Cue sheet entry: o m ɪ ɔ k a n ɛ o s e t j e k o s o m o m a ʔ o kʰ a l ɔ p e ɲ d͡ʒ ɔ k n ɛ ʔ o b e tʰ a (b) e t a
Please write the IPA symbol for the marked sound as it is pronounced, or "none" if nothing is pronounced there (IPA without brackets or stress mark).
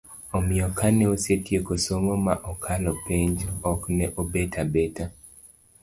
b